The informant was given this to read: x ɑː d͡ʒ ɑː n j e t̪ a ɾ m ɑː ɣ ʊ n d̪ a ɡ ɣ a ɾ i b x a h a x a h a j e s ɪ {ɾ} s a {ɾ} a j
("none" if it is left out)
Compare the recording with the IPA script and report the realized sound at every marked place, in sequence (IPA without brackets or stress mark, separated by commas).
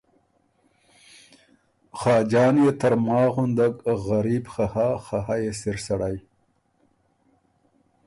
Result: ɾ, ɽ